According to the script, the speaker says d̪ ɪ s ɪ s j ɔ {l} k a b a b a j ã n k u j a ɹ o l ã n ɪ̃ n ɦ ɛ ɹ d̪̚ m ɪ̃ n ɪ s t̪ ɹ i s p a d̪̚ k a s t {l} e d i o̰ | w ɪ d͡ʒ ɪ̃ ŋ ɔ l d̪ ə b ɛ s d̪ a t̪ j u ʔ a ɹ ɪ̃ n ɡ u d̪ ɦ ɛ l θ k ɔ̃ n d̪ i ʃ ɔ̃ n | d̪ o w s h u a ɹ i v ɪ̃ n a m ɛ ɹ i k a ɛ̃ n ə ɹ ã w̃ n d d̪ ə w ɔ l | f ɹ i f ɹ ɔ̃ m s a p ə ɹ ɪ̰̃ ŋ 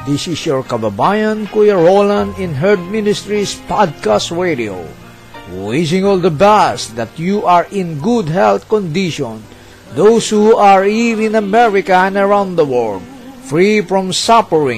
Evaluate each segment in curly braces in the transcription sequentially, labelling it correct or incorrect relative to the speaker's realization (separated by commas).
incorrect, incorrect